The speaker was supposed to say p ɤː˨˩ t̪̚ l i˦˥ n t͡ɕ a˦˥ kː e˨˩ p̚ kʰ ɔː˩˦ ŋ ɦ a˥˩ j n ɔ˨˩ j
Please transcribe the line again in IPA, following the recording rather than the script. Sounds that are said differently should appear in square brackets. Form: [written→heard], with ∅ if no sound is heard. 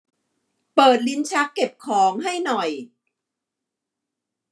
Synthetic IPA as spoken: p ɤː˨˩ t̪̚ l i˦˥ n [t͡ɕ→t͡ɕʰ] a˦˥ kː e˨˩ p̚ kʰ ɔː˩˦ ŋ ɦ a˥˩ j n ɔ˨˩ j

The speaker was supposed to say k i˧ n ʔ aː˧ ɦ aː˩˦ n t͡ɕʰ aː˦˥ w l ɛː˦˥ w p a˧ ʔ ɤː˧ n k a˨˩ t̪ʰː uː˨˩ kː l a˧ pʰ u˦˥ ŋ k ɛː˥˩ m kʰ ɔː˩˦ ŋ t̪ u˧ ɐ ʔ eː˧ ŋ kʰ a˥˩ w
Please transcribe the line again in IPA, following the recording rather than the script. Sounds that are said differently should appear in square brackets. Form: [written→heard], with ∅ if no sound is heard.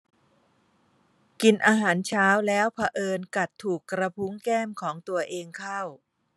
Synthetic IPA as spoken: k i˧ n ʔ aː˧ ɦ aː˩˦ n t͡ɕʰ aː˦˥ w l ɛː˦˥ w [p→pʰ] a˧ ʔ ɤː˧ n k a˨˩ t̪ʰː uː˨˩ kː [l→ɾ] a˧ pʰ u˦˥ ŋ k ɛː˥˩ m kʰ ɔː˩˦ ŋ t̪ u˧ ɐ ʔ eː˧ ŋ kʰ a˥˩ w

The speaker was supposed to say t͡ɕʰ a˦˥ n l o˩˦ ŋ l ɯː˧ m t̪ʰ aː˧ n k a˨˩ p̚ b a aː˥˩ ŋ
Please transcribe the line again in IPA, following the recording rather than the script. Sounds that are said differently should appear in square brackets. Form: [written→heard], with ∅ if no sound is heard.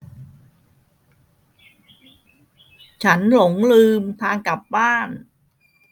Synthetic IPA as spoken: t͡ɕʰ a˦˥ n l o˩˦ ŋ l ɯː˧ m t̪ʰ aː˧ [n→ŋ] k a˨˩ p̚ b a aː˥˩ [ŋ→n]

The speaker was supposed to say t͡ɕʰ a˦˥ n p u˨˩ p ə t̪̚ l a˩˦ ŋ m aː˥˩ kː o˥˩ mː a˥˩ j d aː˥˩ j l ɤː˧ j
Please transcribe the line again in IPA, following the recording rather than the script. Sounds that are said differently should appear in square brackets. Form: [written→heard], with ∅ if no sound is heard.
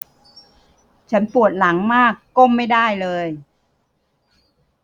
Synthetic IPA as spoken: t͡ɕʰ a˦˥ n p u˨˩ [p→∅] ə t̪̚ l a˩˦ ŋ m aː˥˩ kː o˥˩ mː a˥˩ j d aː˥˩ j l ɤː˧ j

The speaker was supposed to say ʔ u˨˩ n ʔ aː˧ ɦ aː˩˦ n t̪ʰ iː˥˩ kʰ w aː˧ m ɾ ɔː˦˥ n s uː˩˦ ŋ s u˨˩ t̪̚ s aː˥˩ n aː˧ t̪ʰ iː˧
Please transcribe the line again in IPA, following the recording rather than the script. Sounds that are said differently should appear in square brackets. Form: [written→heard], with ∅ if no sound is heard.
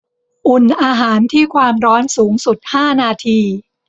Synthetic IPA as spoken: ʔ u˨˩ n ʔ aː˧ ɦ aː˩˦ n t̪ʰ iː˥˩ kʰ w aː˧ m ɾ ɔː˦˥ n s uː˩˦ ŋ s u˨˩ t̪̚ [s→h] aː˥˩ n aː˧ t̪ʰ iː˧

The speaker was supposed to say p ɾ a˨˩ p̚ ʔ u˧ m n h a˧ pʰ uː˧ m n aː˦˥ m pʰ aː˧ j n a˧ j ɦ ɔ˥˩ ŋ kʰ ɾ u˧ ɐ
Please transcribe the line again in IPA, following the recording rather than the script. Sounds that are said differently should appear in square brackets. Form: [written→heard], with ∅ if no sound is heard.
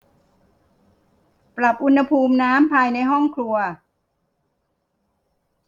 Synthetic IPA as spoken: p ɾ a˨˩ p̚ ʔ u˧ [m→∅] n h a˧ pʰ uː˧ m n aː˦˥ m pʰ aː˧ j n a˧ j ɦ ɔ˥˩ ŋ kʰ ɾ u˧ ɐ

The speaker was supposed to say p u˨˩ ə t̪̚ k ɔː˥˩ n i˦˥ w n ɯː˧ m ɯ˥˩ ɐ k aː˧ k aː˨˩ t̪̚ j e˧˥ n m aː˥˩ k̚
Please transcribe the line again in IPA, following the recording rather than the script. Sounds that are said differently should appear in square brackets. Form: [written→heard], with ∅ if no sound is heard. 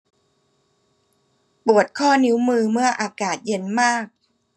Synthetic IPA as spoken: p u˨˩ ə t̪̚ [k→kʰ] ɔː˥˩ n i˦˥ w [n→m] ɯː˧ m ɯ˥˩ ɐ [k→ʔ] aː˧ k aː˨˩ t̪̚ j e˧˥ n m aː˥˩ k̚

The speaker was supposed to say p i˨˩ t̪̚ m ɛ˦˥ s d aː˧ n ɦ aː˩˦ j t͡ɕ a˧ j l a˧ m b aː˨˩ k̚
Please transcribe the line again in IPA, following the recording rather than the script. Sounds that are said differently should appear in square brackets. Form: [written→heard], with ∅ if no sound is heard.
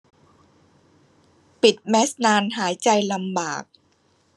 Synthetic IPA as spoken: p i˨˩ t̪̚ m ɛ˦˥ s [d→n] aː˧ n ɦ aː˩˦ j t͡ɕ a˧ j l a˧ m b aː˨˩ k̚

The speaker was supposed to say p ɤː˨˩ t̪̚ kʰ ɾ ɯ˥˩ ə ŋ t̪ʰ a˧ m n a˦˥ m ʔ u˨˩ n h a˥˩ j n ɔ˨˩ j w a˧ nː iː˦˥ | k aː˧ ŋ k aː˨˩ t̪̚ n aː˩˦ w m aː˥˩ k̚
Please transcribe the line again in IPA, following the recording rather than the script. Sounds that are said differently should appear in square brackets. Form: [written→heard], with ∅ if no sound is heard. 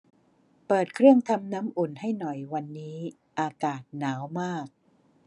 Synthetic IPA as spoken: p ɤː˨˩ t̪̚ kʰ ɾ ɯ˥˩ ə ŋ t̪ʰ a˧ m n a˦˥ m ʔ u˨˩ n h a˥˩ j n ɔ˨˩ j w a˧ nː iː˦˥ | [k→ʔ] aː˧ [ŋ→∅] k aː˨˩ t̪̚ n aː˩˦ w m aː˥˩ k̚

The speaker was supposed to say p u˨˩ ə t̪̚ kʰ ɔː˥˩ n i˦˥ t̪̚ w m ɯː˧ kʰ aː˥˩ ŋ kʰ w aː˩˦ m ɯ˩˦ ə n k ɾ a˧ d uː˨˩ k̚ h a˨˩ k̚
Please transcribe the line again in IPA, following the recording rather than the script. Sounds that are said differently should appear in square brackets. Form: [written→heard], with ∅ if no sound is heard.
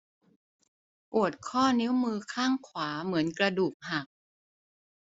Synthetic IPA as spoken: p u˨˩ ə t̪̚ kʰ ɔː˥˩ n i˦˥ [t̪̚→∅] w m ɯː˧ kʰ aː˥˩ ŋ kʰ w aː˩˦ m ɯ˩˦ ə n k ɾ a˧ d uː˨˩ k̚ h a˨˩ k̚

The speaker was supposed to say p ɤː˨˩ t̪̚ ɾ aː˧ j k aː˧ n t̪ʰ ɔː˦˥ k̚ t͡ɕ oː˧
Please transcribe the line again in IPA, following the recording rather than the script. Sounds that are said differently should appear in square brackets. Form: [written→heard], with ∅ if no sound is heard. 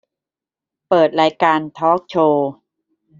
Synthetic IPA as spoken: p ɤː˨˩ t̪̚ ɾ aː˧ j k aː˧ n t̪ʰ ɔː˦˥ k̚ [t͡ɕ→t͡ɕʰ] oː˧

